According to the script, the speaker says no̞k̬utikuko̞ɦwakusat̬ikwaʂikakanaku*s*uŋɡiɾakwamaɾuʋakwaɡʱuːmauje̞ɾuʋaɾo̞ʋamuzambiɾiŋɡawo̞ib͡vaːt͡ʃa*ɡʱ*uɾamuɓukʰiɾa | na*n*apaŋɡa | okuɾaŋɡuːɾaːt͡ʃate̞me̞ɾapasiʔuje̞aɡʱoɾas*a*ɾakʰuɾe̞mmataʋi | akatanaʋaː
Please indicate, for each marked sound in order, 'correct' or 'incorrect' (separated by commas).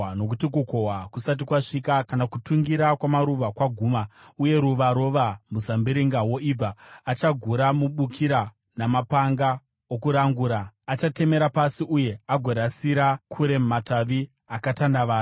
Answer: incorrect, correct, incorrect, incorrect